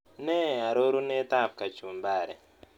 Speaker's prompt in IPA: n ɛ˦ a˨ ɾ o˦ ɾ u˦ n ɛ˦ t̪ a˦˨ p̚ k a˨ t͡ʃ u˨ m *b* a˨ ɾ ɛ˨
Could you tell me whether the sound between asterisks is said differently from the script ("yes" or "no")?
no